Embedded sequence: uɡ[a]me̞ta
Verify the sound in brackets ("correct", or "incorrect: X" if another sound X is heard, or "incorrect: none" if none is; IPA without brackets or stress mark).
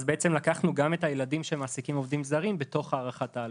correct